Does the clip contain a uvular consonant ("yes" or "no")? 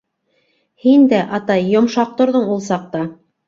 yes